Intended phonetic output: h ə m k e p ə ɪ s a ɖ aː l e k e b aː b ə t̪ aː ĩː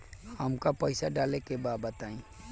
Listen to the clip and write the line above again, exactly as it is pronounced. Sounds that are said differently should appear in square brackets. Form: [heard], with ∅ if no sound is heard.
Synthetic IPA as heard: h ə m k [a] p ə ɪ s a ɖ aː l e k e b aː b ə t̪ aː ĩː